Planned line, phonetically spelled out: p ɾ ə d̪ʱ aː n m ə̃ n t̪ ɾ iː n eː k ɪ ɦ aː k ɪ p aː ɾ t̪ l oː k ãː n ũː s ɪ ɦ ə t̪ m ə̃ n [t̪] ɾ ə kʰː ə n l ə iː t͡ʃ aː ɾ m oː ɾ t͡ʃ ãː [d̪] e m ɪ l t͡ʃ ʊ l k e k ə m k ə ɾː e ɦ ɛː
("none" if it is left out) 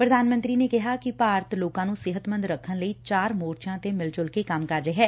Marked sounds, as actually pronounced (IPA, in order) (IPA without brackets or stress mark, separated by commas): d̪, t̪